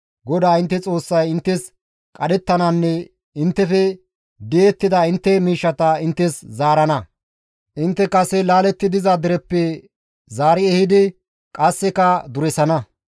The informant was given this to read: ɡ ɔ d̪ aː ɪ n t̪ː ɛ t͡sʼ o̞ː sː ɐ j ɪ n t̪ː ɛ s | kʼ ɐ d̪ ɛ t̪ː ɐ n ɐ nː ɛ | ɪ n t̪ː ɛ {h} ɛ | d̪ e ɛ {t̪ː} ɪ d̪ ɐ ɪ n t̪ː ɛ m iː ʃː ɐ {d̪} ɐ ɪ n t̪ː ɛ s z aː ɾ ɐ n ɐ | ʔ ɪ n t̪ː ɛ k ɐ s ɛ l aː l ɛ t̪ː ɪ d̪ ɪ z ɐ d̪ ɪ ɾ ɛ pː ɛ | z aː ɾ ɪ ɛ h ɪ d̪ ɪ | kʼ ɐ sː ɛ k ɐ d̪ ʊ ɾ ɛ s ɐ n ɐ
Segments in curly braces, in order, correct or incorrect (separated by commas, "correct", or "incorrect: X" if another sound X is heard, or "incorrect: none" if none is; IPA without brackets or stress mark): incorrect: f, correct, incorrect: t̪